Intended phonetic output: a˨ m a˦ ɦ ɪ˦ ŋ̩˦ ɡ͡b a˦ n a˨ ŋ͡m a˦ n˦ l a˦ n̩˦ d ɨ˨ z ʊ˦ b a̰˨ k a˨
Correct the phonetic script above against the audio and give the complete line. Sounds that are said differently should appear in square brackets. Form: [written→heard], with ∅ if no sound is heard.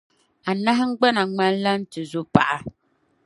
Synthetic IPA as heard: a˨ [m→n] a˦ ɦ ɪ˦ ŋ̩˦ ɡ͡b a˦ n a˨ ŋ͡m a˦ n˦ l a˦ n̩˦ [d→t] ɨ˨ z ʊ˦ [b→p] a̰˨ [k→ʔ] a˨